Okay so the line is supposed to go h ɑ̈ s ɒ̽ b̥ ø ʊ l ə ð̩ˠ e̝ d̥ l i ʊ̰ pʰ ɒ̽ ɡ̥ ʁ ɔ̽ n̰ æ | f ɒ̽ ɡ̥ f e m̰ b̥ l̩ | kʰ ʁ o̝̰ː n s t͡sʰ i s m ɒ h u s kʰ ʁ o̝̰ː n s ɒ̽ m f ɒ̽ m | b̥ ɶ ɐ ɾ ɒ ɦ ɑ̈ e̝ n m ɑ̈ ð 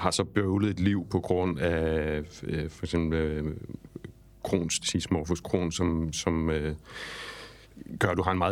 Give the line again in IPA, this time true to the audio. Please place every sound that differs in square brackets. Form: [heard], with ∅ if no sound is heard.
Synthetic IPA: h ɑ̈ s ɒ̽ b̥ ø ʊ l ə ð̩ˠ e̝ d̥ l i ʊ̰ pʰ ɒ̽ ɡ̥ ʁ ɔ̽ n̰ æ | f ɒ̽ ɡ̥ [s] e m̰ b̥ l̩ | kʰ ʁ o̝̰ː n s t͡sʰ i s m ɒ [f] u s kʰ ʁ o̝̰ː n s ɒ̽ m [s] ɒ̽ m | [ɡ̥] ɶ ɐ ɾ [u] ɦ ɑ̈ e̝ n m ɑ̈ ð